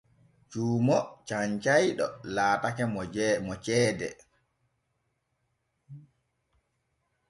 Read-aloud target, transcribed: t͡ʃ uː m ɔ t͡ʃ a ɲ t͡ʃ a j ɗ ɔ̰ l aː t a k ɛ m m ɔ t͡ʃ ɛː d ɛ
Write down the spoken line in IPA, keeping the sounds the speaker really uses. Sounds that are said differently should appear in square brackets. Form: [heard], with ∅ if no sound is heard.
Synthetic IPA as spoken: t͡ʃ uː m ɔ t͡ʃ a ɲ t͡ʃ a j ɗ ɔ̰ l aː t a k ɛ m m ɔ t͡ʃ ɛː d ɛ